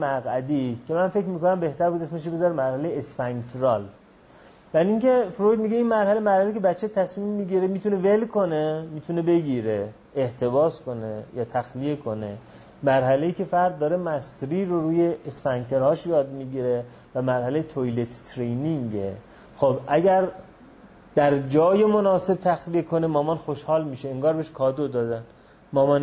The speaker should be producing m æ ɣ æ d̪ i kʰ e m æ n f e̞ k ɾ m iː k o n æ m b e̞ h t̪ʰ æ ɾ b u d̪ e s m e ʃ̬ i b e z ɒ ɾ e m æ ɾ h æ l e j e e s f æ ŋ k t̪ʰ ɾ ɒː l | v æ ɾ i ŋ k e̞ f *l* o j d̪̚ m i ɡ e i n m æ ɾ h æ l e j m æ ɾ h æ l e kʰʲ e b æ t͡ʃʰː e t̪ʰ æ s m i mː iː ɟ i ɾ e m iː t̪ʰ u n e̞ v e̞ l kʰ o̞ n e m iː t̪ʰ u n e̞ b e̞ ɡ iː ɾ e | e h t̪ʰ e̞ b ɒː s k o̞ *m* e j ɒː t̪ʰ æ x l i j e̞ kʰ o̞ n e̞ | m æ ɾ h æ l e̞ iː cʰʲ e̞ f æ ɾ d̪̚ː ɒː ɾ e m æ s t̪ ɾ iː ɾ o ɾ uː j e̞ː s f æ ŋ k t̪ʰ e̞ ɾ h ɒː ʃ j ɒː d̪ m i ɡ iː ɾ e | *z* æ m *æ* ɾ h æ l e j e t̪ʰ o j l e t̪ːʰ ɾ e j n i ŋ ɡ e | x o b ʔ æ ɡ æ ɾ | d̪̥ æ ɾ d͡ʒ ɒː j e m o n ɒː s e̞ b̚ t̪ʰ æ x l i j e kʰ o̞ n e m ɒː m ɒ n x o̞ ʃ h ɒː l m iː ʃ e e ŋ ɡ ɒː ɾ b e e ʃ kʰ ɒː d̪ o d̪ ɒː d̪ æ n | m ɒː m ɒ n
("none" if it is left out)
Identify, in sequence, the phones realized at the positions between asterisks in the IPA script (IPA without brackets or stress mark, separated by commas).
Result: ɾ, n, v, æ